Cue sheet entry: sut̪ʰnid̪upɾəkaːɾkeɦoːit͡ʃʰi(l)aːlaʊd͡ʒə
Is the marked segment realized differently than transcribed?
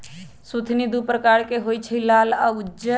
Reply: no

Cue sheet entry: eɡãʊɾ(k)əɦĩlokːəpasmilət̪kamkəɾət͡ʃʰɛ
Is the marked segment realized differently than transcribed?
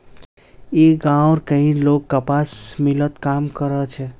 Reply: no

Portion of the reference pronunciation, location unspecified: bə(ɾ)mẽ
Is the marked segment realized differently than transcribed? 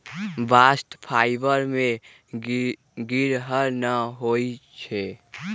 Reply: no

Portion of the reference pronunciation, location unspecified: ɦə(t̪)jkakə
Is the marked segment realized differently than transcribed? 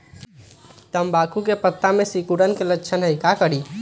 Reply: yes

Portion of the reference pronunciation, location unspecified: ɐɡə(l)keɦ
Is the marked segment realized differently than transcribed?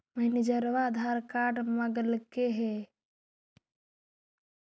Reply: no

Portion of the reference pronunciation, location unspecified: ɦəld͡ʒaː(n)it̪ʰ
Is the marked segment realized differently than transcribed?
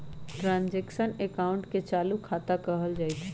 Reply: yes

